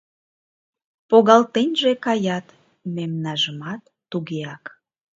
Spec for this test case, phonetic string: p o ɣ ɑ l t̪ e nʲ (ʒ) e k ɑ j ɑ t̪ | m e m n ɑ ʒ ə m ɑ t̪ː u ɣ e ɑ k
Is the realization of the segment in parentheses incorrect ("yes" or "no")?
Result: no